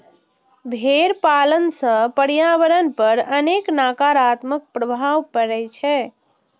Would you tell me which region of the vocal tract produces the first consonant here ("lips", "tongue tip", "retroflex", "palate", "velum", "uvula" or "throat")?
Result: lips